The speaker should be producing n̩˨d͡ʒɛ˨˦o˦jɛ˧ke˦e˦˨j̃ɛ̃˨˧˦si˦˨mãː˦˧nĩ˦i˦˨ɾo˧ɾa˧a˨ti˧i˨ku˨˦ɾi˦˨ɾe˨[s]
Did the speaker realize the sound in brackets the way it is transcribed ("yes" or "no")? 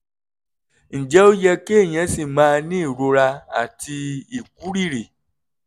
no